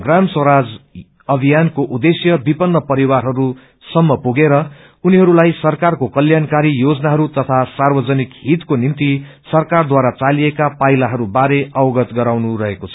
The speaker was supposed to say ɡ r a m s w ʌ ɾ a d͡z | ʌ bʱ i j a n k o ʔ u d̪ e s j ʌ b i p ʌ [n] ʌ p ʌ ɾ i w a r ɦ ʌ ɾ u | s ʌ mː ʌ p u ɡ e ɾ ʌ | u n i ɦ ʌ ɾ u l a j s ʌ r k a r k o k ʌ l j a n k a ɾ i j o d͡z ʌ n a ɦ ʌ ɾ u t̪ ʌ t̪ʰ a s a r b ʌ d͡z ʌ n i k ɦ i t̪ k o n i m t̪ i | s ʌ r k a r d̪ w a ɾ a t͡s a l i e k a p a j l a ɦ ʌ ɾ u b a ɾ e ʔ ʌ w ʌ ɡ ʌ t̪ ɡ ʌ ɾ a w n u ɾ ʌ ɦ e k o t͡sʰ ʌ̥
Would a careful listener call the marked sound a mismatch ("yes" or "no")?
yes